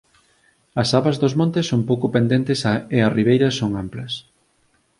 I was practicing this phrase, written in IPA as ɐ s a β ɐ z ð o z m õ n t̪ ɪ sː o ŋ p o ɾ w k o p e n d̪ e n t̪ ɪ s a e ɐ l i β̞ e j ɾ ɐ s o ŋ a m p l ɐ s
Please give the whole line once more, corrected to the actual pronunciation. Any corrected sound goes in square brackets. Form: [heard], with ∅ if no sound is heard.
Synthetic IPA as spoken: ɐ s a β ɐ z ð o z m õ n t̪ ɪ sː o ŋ p o [∅] w k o p e n d̪ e n t̪ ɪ s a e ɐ [r] i β̞ e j ɾ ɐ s o ŋ a m p l ɐ s